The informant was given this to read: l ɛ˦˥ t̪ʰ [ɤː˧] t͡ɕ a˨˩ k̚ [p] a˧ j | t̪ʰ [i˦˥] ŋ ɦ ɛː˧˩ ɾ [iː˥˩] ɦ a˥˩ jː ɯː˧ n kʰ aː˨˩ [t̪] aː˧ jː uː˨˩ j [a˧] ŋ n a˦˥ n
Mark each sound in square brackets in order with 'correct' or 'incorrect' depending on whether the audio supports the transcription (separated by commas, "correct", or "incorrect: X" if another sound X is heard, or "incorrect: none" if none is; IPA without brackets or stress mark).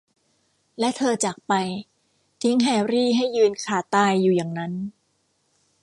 correct, correct, correct, correct, correct, incorrect: a˨˩